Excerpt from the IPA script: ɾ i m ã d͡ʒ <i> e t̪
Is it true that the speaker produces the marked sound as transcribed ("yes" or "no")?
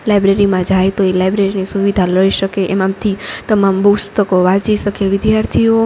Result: no